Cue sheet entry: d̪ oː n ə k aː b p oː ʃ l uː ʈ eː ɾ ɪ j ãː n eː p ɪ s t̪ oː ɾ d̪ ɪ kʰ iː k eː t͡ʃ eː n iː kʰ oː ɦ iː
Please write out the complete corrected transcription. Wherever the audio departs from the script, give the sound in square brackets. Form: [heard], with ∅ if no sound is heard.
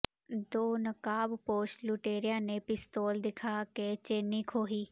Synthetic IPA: d̪ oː n ə k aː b p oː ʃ l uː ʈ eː ɾ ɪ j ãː n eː p ɪ s t̪ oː [l] d̪ ɪ kʰ [aː] k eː t͡ʃ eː n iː kʰ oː ɦ iː

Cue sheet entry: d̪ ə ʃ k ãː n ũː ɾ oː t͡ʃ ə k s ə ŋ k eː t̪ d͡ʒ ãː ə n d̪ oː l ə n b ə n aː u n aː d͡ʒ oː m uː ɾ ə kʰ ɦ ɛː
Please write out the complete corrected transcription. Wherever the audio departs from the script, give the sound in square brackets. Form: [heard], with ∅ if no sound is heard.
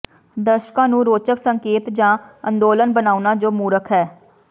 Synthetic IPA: d̪ ə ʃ k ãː n ũː ɾ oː t͡ʃ ə k s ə ŋ k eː t̪ d͡ʒ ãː ə n d̪ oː l ə n b ə n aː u n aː d͡ʒ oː m uː ɾ ə kʰ ɦ ɛː

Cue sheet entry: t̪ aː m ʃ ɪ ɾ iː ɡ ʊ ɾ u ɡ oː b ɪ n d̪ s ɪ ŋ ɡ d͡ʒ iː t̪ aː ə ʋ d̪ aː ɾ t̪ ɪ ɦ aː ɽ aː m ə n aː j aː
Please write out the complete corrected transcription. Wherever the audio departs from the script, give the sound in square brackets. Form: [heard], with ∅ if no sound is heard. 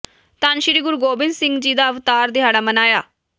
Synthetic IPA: t̪ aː [n] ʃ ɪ ɾ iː ɡ ʊ ɾ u ɡ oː b ɪ n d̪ s ɪ ŋ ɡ d͡ʒ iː [d̪] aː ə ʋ [t̪] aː ɾ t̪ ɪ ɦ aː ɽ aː m ə n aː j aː

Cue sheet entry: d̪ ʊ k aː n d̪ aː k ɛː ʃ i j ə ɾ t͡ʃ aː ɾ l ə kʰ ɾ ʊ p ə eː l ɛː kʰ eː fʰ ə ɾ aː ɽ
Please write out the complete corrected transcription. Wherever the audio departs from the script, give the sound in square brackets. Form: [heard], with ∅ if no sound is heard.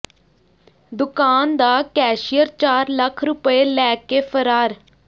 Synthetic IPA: d̪ ʊ k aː n d̪ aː k ɛː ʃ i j ə ɾ t͡ʃ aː ɾ l ə kʰ ɾ ʊ p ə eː l ɛː [k] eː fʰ ə ɾ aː [ɾ]

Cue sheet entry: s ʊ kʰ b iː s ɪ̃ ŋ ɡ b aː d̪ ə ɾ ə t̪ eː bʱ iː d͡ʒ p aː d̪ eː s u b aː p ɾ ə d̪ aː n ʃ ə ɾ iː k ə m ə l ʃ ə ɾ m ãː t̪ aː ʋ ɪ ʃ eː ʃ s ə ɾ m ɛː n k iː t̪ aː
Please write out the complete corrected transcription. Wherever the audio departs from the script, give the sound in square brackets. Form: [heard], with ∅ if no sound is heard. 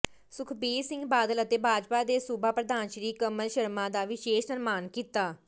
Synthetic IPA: s ʊ kʰ b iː s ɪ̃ ŋ ɡ b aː d̪ ə [l] ə t̪ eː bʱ [aː] d͡ʒ p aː d̪ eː s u b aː p ɾ ə d̪ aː n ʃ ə ɾ iː k ə m ə l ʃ ə ɾ m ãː [d̪] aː ʋ ɪ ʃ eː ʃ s ə ɾ m [aː] n k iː t̪ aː

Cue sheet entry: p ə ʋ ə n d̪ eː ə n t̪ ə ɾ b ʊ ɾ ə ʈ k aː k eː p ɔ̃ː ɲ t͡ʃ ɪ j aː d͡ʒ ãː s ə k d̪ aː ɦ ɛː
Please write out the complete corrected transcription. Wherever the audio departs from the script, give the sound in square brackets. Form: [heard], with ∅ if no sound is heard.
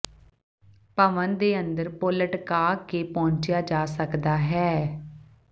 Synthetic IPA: p ə ʋ ə n d̪ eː ə n [d̪] ə ɾ [p] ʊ [l] ə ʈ k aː k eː p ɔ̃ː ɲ t͡ʃ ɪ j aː d͡ʒ [aː] s ə k d̪ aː ɦ ɛː

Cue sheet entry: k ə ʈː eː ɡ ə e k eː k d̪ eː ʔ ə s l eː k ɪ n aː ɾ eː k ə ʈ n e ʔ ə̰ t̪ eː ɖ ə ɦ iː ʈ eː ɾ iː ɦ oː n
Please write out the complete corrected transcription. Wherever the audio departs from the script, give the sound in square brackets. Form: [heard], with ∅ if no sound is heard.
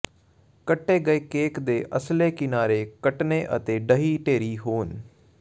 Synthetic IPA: k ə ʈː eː ɡ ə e k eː k d̪ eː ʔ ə s l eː k ɪ n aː ɾ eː k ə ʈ n e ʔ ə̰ t̪ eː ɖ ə ɦ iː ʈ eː ɾ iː ɦ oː n

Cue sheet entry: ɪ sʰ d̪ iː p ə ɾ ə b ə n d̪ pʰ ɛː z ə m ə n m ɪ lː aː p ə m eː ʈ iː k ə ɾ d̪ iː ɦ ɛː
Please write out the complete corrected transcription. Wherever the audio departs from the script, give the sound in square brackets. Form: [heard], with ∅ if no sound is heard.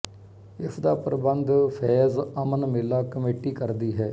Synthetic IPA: ɪ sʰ d̪ [aː] p ə ɾ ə b ə n d̪ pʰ ɛː z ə m ə n m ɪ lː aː [k] ə m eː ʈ iː k ə ɾ d̪ iː ɦ ɛː

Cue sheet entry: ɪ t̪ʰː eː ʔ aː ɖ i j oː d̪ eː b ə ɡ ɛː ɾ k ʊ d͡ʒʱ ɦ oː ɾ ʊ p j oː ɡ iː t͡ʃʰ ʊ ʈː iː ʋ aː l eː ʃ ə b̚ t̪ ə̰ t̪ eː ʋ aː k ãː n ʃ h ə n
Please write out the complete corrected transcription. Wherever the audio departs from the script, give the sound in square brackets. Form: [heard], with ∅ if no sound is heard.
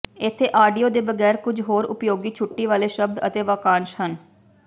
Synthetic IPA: ɪ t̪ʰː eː ʔ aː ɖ i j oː d̪ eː b ə ɡ ɛː ɾ k ʊ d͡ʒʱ ɦ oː ɾ ʊ p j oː ɡ iː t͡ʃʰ ʊ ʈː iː ʋ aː l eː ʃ ə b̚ [d̪] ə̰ t̪ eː ʋ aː k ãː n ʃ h ə n

